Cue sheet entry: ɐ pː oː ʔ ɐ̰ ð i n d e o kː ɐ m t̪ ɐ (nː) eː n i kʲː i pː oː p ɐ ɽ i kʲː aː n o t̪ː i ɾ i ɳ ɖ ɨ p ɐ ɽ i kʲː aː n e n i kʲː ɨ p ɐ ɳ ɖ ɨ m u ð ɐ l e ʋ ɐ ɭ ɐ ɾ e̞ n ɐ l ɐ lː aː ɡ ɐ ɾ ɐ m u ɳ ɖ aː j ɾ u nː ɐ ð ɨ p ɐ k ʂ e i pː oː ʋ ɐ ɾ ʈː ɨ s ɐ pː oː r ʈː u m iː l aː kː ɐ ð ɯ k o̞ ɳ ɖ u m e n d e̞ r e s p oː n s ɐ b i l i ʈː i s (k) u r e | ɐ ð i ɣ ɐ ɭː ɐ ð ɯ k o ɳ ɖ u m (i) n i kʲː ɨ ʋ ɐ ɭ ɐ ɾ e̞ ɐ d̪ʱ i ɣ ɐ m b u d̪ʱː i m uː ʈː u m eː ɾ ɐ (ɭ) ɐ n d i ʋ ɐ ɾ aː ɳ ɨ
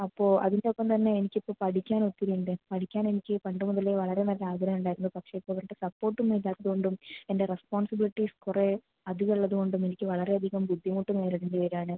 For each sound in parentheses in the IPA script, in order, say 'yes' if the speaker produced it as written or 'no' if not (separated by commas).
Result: yes, yes, no, no